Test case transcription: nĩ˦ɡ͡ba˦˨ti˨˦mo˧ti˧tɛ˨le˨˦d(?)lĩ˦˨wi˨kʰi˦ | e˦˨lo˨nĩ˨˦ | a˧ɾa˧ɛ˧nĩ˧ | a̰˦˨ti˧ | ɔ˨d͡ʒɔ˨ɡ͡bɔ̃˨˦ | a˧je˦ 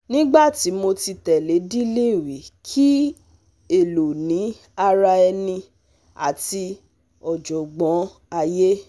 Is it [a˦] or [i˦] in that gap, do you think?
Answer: i˦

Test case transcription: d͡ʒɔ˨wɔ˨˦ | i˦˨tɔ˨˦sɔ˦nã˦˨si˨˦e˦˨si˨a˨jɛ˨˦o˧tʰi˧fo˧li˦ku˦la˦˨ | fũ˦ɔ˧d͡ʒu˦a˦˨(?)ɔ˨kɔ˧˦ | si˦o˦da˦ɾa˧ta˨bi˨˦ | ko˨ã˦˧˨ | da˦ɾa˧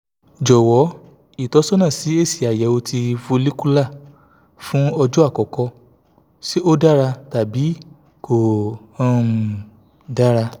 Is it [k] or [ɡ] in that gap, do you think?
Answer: k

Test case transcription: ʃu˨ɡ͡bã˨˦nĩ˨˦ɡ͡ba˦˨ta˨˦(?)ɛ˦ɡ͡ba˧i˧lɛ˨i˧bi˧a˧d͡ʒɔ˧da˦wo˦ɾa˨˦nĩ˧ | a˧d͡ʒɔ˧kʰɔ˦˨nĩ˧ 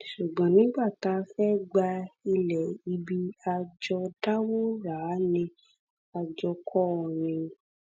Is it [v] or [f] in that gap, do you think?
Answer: f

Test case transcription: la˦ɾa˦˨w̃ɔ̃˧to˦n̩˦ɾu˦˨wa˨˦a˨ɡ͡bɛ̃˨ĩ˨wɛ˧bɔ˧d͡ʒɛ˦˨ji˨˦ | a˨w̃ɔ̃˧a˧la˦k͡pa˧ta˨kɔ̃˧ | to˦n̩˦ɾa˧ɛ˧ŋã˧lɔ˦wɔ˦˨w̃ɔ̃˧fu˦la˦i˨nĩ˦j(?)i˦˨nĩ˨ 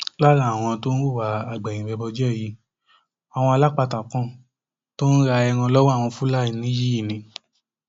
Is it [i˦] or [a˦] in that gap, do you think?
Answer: i˦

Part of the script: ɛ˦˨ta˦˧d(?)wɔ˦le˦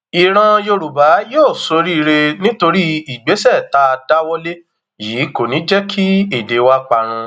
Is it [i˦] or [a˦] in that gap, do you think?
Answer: a˦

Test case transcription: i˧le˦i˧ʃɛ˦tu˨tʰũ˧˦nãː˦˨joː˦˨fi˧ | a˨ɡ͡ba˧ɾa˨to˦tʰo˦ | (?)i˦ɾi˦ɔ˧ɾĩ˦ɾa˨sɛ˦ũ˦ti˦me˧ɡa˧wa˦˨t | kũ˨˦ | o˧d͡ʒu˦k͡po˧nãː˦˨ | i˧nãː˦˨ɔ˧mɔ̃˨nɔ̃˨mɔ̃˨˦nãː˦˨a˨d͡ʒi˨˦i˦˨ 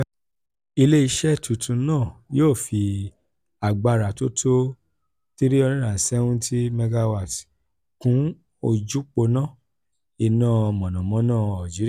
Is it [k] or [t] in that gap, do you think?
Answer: t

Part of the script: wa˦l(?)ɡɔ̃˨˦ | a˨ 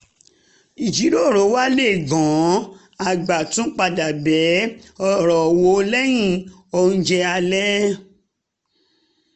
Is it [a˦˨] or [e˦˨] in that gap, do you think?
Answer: e˦˨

